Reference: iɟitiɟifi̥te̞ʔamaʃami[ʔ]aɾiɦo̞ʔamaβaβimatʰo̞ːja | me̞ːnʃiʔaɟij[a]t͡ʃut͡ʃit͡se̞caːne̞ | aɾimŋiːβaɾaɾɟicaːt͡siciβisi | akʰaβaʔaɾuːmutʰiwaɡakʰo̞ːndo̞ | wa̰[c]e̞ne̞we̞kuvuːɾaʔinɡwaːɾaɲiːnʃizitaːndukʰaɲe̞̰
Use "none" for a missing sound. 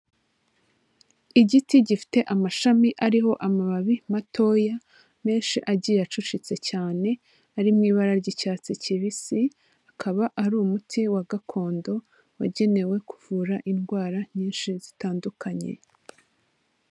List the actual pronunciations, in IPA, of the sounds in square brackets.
ʔ, a, ɟ

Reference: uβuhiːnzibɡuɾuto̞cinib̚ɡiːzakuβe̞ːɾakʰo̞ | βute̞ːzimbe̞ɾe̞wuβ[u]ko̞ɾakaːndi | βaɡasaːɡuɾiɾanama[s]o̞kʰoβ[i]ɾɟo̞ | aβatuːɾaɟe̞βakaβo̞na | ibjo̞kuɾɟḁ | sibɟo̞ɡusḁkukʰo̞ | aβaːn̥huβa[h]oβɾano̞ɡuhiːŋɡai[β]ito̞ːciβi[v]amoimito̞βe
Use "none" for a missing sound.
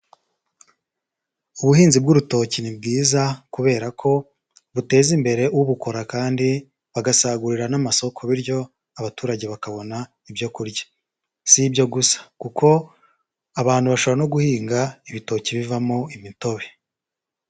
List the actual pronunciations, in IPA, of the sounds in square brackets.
u, s, i, ʃ, β, v

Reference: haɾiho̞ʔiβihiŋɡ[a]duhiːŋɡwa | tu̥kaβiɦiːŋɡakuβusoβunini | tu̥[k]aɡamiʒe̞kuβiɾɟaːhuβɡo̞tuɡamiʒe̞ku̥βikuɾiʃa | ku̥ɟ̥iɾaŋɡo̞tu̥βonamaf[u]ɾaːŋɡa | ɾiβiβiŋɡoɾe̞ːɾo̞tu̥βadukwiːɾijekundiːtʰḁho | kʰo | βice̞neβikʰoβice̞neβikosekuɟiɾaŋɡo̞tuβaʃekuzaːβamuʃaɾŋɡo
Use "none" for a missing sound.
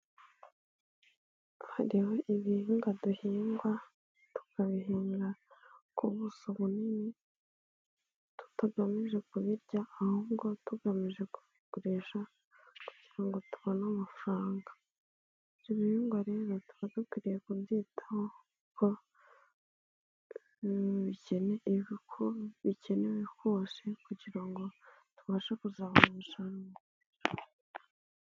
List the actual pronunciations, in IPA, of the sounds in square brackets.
a, t, u

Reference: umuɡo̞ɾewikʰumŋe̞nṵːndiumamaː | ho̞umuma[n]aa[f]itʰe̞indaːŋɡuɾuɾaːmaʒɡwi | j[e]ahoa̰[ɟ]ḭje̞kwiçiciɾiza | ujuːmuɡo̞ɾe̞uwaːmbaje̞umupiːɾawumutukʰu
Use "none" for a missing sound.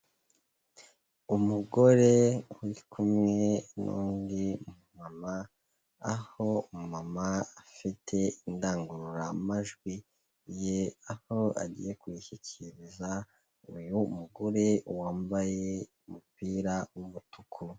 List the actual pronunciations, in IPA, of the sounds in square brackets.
m, f, e, ɟ

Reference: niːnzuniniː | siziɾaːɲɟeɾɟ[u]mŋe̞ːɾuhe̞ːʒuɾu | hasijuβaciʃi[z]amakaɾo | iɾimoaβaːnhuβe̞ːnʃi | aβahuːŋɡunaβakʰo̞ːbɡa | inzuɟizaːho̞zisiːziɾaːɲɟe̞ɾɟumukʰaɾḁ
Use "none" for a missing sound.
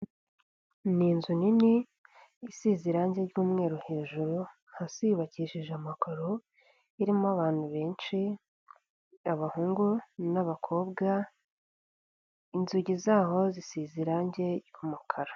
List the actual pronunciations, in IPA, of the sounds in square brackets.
uː, ʒ

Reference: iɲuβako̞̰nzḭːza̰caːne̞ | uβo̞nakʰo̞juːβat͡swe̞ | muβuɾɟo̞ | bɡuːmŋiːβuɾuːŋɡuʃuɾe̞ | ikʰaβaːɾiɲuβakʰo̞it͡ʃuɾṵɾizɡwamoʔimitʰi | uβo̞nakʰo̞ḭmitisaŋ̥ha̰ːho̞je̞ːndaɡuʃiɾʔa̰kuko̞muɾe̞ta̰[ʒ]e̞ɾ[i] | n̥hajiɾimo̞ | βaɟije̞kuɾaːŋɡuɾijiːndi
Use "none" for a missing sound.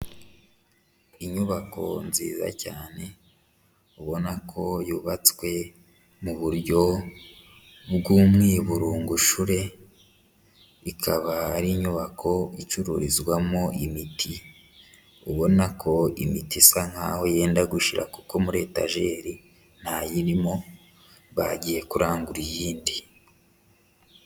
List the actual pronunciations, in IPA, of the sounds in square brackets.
ʒ, i

